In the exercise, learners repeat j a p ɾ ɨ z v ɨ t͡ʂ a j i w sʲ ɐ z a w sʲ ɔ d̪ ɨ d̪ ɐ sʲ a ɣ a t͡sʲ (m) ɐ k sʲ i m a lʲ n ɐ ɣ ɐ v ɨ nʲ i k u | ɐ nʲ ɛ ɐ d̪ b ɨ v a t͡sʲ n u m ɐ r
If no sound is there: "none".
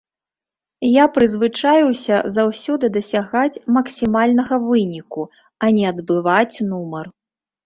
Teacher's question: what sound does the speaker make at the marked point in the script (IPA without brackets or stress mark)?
m